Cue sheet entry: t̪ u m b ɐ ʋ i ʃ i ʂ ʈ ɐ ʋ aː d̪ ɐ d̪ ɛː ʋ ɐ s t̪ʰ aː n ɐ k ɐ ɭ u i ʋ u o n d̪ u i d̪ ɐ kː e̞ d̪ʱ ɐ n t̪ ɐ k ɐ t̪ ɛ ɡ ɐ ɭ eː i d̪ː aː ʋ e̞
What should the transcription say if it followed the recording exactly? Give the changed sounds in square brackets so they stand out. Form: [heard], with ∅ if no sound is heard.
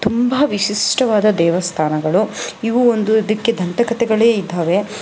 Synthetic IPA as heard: t̪ u m b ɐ ʋ i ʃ i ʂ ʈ ɐ ʋ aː d̪ ɐ d̪ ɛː ʋ ɐ s t̪ʰ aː n ɐ [ɡ] ɐ ɭ u i ʋ u o n d̪ u i d̪ ɐ kː e̞ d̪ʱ ɐ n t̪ ɐ k ɐ t̪ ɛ ɡ ɐ ɭ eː i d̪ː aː ʋ e̞